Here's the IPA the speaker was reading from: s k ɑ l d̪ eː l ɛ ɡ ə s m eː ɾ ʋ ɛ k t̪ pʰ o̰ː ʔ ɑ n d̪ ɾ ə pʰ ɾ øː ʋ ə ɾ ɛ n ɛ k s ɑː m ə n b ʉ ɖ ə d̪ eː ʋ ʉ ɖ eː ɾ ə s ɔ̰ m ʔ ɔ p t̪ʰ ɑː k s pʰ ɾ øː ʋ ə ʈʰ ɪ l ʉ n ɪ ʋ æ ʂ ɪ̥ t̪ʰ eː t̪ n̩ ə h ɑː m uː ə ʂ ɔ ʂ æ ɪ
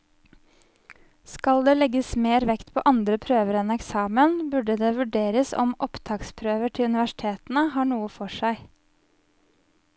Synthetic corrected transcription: s k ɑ l d̪ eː l ɛ ɡ ə s m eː ɾ ʋ ɛ k t̪ pʰ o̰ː ʔ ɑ n d̪ ɾ ə pʰ ɾ øː ʋ ə ɾ ɛ n ɛ k s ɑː m ə n b ʉ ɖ ə d̪ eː ʋ ʉ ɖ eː ɾ ə s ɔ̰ m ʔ ɔ p t̪ʰ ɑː k s pʰ ɾ øː ʋ ə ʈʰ ɪ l ʉ n ɪ ʋ æ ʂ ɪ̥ t̪ʰ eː t̪ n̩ ə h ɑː ɳ uː ə f ɔ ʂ æ ɪ